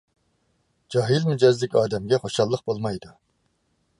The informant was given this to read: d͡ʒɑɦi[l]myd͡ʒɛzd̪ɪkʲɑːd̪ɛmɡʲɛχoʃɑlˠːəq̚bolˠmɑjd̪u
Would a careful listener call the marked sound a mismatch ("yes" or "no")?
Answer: no